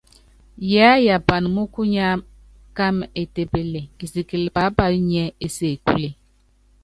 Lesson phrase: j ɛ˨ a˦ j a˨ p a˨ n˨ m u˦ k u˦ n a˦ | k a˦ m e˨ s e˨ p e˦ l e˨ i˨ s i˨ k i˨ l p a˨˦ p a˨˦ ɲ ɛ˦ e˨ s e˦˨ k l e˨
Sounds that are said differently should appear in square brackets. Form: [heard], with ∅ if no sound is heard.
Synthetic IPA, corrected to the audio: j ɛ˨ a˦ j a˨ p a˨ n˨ m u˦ k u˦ [ɲ] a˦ | k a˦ m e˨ [t] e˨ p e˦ l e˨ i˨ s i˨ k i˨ l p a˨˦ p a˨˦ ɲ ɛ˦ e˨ s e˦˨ k l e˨